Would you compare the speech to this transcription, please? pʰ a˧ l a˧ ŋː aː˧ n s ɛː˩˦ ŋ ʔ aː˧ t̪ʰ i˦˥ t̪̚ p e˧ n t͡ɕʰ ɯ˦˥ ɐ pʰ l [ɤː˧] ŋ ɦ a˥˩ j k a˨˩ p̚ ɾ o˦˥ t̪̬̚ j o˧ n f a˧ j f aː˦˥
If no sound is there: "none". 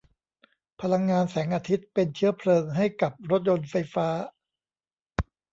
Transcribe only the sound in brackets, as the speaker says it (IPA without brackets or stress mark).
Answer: ɤː˧